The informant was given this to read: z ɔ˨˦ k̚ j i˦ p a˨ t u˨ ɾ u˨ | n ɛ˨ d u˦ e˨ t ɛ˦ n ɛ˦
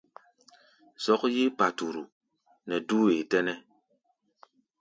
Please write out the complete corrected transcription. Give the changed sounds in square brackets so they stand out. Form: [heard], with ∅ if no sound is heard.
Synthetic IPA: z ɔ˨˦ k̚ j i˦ p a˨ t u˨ ɾ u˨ | n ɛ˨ d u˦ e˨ t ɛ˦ n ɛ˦